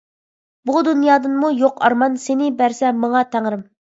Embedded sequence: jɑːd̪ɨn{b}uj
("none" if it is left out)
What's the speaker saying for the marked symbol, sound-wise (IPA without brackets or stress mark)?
m